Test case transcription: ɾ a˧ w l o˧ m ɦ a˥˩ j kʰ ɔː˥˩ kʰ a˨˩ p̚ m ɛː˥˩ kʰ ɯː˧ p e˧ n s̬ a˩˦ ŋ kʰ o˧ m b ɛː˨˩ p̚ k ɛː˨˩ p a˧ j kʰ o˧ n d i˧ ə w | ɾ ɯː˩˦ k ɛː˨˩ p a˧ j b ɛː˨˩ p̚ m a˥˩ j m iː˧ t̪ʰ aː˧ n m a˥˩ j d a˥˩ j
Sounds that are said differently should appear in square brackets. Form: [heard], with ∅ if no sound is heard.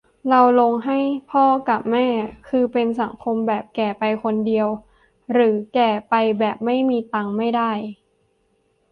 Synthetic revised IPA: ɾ a˧ w l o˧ [ŋ] ɦ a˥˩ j [pʰ] ɔː˥˩ [k] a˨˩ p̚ m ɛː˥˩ kʰ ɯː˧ p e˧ n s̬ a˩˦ ŋ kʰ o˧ m b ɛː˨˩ p̚ k ɛː˨˩ p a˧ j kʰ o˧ n d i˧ ə w | ɾ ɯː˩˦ k ɛː˨˩ p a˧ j b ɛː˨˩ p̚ m a˥˩ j m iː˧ [t̪] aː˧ [ŋ] m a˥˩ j d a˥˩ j

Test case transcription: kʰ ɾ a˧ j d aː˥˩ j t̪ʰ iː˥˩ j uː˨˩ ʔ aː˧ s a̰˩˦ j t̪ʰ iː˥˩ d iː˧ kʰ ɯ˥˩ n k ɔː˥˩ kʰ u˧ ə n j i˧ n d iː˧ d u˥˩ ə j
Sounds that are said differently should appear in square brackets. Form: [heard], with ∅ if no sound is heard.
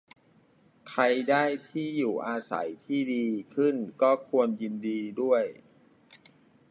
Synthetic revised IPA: kʰ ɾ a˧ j d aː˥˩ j t̪ʰ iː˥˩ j uː˨˩ ʔ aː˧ s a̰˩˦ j t̪ʰ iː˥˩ d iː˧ kʰ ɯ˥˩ n k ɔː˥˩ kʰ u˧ ə n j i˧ n d iː˧ d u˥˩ ə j

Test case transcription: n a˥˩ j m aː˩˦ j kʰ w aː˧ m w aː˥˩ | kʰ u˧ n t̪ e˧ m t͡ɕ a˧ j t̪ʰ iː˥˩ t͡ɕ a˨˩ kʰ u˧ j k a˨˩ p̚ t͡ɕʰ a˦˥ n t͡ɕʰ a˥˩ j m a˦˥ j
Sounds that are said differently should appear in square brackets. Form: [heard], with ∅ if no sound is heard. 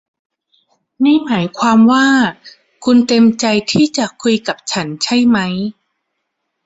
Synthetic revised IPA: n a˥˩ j m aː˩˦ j kʰ w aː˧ m w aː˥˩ | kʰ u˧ n t̪ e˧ m t͡ɕ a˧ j t̪ʰ iː˥˩ t͡ɕ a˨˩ kʰ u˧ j k a˨˩ p̚ t͡ɕʰ a˦˥ n t͡ɕʰ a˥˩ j m a˦˥ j

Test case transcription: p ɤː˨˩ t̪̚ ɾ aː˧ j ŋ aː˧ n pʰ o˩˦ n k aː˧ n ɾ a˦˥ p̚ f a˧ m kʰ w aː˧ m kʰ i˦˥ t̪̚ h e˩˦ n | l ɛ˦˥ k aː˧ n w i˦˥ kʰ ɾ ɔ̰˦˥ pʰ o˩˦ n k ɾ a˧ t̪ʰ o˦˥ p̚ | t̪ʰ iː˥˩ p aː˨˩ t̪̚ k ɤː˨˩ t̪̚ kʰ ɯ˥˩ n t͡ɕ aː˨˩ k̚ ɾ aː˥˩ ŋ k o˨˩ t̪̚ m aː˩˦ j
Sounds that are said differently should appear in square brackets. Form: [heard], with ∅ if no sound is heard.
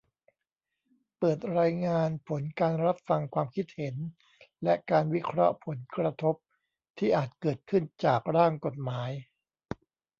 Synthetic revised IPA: p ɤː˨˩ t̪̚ ɾ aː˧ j ŋ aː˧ n pʰ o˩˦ n k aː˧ n ɾ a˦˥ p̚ f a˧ [ŋ] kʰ w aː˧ m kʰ i˦˥ t̪̚ h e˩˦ n | l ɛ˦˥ k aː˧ n w i˦˥ kʰ ɾ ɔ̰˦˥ pʰ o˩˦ n k ɾ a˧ t̪ʰ o˦˥ p̚ | t̪ʰ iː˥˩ [ʔ] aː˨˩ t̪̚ k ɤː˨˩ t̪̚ kʰ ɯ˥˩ n t͡ɕ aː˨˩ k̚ ɾ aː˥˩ ŋ k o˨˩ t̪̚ m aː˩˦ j

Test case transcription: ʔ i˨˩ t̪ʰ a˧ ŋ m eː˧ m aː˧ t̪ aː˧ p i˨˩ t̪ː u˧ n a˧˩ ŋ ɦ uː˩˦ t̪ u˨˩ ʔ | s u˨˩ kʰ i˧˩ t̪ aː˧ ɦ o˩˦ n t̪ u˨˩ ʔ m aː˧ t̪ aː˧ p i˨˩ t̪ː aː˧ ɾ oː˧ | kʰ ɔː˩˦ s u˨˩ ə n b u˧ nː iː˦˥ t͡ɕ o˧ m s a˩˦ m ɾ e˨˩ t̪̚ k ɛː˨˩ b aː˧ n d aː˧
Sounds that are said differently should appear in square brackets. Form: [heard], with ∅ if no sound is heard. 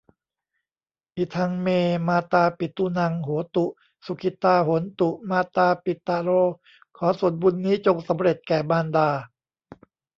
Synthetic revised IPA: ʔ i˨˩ t̪ʰ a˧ ŋ m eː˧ m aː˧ t̪ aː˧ p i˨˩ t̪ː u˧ n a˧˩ ŋ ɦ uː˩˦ t̪ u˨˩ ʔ | s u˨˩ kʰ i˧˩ t̪ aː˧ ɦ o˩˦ n t̪ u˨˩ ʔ m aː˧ t̪ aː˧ p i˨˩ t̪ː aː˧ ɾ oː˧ | kʰ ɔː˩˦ s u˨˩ ə n b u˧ nː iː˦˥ t͡ɕ o˧ [ŋ] s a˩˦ m ɾ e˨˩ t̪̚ k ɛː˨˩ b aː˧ n d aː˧

